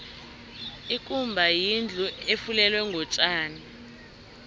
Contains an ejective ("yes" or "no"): yes